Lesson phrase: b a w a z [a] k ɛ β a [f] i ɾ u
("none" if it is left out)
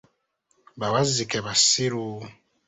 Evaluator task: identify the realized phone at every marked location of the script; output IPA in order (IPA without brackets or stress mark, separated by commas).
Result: i, s